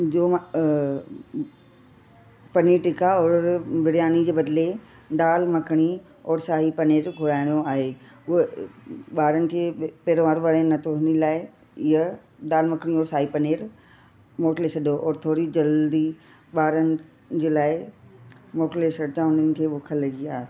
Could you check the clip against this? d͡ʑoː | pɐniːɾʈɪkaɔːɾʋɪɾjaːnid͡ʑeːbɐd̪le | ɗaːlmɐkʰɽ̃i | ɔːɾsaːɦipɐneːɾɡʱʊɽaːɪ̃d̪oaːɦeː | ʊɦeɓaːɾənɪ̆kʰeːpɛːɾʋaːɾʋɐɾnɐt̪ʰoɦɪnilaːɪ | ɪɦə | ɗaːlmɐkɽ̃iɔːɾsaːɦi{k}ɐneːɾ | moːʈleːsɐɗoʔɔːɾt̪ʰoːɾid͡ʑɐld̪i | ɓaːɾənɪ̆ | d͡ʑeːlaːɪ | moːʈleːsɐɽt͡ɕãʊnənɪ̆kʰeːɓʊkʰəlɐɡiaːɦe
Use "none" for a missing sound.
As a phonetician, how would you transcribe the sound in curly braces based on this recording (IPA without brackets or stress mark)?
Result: p